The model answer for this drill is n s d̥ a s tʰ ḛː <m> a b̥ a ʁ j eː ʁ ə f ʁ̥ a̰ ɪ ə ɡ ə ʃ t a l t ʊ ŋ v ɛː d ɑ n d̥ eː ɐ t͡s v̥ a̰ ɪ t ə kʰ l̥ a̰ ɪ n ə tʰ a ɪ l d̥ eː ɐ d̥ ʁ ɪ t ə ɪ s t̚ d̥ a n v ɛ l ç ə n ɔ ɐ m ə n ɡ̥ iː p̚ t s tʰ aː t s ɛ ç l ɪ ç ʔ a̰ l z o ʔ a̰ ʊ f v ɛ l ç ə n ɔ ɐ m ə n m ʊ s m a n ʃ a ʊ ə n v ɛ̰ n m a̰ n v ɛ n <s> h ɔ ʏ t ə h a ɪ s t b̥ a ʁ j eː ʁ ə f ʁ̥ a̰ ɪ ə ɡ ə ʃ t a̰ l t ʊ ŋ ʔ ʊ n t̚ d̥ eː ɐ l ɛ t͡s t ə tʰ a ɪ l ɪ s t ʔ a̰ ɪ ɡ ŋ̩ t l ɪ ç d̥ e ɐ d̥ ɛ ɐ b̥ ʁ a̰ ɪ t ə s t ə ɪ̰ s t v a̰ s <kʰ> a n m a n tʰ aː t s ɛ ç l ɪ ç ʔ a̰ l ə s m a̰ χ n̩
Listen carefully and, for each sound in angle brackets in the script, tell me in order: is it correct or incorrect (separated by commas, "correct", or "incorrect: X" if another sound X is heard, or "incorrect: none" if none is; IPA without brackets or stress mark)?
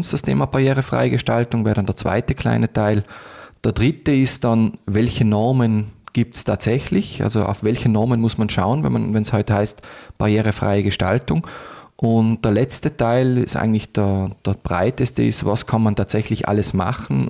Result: correct, correct, correct